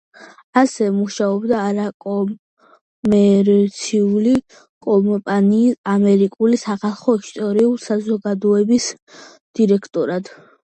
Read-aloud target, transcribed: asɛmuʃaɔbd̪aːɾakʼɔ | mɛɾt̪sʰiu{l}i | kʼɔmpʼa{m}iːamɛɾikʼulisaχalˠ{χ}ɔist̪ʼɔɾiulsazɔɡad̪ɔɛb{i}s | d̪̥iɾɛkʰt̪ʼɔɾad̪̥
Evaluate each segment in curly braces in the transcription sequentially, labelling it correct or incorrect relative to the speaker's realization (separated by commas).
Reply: correct, incorrect, correct, correct